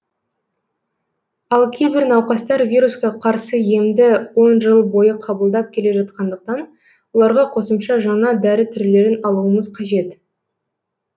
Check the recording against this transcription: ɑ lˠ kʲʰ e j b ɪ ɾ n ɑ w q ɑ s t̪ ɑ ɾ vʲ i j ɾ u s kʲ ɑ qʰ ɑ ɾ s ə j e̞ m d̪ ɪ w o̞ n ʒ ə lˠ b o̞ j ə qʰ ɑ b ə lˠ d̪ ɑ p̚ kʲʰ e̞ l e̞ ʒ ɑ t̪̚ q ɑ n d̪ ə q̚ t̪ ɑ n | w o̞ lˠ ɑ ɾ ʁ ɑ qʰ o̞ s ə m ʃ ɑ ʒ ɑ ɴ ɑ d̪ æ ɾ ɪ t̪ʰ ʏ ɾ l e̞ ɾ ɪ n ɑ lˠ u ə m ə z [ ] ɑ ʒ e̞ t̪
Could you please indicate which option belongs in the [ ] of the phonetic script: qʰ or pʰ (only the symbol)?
qʰ